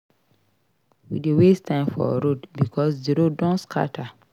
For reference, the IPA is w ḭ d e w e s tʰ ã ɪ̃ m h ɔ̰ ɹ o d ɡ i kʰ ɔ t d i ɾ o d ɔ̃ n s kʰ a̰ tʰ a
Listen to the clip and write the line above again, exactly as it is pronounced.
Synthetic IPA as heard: w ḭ d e w e s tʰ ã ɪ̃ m f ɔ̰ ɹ o d b i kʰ ɔ s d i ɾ o d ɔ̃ n s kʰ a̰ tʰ a